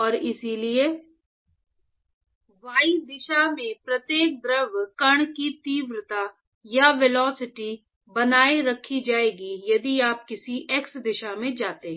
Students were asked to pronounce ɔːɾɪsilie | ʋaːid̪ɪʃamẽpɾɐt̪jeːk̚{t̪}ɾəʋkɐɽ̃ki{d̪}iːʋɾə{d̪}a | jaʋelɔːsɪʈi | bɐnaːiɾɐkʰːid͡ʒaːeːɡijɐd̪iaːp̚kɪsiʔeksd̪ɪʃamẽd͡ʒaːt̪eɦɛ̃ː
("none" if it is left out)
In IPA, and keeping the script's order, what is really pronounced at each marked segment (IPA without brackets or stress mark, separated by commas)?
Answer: d̪, t̪, t̪